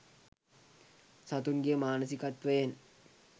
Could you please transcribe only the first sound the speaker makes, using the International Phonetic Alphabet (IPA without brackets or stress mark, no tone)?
s